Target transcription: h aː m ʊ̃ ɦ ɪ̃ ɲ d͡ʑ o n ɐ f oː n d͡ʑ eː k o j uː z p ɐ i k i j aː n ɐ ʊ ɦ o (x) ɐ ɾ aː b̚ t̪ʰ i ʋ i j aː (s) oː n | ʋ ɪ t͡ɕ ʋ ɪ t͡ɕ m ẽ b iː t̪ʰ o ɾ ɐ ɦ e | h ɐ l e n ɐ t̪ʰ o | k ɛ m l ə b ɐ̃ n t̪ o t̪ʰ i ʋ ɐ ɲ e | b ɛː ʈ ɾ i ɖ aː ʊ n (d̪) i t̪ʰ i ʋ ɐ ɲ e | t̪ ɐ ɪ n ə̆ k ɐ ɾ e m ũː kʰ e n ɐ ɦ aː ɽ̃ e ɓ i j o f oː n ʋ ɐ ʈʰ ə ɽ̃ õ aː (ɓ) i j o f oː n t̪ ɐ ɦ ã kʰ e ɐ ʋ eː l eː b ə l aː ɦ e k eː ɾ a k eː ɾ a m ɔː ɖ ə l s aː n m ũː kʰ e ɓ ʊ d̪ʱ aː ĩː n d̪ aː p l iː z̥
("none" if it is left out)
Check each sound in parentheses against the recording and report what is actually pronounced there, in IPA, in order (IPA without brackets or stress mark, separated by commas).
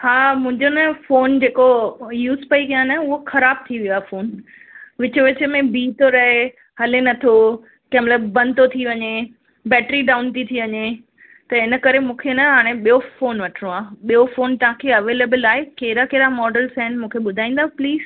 x, f, t̪, ɓ